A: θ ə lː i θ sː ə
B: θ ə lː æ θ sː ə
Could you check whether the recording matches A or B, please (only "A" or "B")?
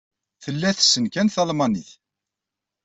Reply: B